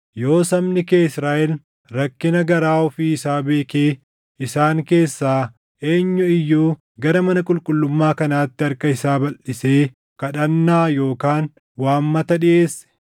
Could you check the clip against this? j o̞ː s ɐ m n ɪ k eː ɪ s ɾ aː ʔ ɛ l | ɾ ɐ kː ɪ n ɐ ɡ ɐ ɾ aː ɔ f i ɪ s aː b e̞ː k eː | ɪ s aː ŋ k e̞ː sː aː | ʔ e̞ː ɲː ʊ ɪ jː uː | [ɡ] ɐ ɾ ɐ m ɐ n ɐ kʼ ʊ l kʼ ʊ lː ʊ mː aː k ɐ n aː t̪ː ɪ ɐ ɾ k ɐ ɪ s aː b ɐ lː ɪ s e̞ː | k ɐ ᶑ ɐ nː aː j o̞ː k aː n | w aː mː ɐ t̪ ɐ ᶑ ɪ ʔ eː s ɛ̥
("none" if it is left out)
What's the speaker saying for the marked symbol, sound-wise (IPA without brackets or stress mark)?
ɡ